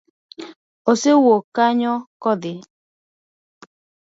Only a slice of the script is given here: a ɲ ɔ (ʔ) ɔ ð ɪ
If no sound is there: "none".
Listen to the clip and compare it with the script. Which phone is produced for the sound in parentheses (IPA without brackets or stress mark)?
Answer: k